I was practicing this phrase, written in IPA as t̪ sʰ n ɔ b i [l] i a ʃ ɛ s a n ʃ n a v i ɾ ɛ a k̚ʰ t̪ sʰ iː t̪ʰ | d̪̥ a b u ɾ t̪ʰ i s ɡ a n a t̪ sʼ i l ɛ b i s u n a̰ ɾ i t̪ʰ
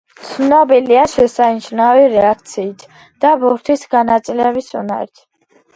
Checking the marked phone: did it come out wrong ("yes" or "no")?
no